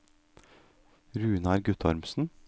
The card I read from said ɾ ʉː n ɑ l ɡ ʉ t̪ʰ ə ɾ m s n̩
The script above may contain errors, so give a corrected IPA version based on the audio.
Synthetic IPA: ɾ ʉː n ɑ ɾ ɡ ʉ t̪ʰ ɑ ɾ m s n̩